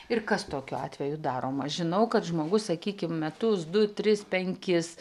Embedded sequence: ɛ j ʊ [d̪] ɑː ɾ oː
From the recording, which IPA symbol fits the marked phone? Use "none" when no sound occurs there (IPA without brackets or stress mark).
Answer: d̪